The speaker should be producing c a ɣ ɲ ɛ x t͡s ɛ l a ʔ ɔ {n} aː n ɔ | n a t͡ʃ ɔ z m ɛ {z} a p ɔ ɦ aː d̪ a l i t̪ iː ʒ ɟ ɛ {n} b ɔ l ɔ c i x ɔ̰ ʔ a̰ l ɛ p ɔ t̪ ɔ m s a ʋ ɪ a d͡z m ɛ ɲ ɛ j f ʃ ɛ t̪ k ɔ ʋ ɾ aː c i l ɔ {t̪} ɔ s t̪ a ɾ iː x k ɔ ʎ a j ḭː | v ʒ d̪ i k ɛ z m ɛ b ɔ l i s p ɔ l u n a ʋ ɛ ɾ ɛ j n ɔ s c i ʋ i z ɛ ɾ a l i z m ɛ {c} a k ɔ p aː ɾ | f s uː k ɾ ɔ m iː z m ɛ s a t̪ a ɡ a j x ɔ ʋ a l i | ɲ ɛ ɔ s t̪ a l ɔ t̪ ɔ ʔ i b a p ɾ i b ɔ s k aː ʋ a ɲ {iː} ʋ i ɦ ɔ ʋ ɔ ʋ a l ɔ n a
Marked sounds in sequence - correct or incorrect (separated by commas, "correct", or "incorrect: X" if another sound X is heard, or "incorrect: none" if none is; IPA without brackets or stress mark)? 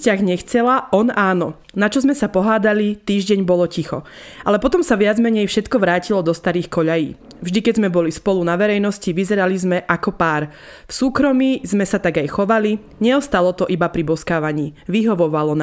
correct, incorrect: s, incorrect: ɲ, incorrect: d̪, incorrect: ʔ, correct